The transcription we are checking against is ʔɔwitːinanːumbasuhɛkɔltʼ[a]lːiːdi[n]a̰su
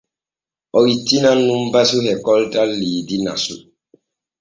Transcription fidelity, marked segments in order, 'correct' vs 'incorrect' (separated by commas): correct, correct